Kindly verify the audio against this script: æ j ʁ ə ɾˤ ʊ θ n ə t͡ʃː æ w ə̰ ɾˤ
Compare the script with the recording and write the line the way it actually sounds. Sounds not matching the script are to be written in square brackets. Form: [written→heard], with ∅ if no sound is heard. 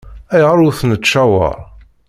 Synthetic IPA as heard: æ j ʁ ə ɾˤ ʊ θ n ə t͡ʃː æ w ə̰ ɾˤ